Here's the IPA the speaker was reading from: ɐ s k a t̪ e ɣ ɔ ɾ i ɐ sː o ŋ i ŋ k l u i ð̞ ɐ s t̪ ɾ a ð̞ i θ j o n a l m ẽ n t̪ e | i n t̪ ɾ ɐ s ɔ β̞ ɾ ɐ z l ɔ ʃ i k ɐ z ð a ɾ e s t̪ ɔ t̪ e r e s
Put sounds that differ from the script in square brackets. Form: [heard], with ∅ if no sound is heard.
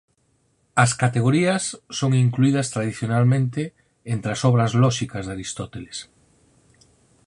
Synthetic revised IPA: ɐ s k a t̪ e ɣ [o] ɾ i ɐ sː o ŋ i ŋ k l u i ð̞ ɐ s t̪ ɾ a ð̞ i θ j o n a l m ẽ n t̪ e | [e] n t̪ ɾ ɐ s ɔ β̞ ɾ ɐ z l ɔ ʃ i k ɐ z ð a ɾ [i] s t̪ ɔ t̪ e [l] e s